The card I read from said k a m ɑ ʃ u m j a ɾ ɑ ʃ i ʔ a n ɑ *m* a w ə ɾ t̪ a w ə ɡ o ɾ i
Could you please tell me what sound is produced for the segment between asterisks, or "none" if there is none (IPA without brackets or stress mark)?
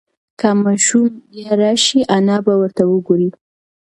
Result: b